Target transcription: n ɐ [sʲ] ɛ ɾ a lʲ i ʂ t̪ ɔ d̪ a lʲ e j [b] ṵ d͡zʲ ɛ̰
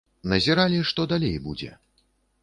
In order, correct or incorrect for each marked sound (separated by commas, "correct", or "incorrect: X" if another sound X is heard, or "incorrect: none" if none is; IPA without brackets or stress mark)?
incorrect: zʲ, correct